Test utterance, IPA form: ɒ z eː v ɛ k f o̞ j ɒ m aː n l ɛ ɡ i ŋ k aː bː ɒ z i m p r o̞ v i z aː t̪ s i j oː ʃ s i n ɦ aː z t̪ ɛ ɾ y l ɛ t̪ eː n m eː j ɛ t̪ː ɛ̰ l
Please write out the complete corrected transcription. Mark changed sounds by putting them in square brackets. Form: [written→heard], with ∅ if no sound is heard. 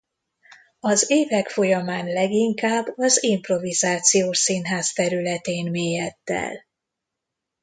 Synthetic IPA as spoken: ɒ z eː v ɛ k f o̞ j ɒ m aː n l ɛ ɡ i ŋ k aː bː ɒ z i m p r o̞ v i z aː t̪ s i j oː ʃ s i n ɦ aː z t̪ ɛ ɾ y l ɛ t̪ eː n m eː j ɛ t̪ː ɛ̰ l